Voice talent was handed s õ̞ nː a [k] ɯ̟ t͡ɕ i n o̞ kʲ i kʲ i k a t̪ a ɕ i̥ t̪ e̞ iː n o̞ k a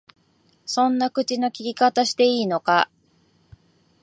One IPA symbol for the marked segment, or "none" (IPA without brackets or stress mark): k